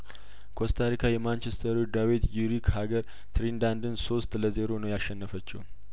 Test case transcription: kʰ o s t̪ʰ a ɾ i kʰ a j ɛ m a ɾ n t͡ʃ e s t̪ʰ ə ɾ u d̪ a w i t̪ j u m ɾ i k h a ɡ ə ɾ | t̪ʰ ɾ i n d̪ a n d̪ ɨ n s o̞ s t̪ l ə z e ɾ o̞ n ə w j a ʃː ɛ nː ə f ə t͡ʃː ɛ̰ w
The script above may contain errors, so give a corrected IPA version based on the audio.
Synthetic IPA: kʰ o s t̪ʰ a ɾ i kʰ a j ɛ m a n t͡ʃ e s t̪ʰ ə ɾ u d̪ a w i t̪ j u ɾ i k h a ɡ ə ɾ | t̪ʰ ɾ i n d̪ a n d̪ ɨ n s o̞ s t̪ l ə z e ɾ o̞ n ə w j a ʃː ɛ nː ə f ə t͡ʃː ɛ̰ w